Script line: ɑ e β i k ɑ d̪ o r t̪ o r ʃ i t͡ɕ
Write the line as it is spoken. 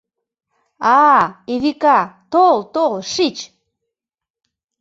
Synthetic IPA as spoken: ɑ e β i k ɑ t̪ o l t̪ o l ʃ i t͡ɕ